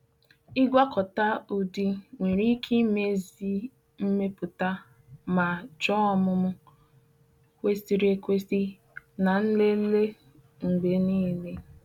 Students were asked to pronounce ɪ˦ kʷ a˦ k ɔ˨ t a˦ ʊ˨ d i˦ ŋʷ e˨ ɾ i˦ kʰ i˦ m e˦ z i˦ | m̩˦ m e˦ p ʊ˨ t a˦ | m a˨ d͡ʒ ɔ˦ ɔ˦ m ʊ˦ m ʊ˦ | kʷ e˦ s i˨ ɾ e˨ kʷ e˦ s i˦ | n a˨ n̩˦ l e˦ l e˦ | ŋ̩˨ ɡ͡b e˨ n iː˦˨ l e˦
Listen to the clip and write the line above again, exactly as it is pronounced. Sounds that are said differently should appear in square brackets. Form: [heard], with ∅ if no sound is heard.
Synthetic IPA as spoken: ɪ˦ [ɡʷ] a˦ k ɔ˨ t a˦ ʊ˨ d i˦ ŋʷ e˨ ɾ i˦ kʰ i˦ m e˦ z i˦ | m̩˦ m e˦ p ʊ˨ t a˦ | m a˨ d͡ʒ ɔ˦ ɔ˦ m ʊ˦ m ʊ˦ | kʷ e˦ s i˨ ɾ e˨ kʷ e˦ s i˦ | n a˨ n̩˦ l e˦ l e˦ | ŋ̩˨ ɡ͡b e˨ n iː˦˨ l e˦